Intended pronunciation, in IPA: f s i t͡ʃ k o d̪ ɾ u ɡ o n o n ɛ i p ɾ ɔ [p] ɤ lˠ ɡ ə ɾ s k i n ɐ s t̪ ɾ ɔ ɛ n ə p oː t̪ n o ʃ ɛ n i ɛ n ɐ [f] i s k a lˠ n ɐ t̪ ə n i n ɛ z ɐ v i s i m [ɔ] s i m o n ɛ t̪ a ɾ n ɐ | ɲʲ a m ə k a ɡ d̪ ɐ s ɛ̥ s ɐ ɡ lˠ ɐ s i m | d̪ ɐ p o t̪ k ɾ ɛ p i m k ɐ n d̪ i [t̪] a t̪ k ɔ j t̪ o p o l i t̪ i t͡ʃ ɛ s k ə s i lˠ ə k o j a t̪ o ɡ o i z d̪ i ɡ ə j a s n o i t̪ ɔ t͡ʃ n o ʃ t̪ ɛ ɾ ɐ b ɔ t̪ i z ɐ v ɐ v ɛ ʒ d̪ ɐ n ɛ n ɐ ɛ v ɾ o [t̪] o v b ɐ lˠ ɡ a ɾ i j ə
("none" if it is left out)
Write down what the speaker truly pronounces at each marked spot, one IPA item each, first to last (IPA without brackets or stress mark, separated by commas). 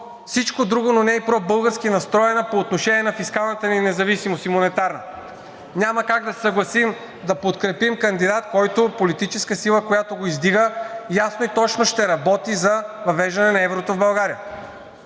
b, f, o, d̪, t̪